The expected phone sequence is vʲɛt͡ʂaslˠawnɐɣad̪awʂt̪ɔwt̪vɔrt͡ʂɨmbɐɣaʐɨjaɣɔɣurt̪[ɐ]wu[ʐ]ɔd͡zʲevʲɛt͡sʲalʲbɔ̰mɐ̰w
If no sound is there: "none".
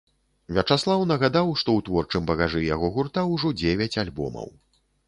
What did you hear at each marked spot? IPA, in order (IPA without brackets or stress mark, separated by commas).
a, ʐ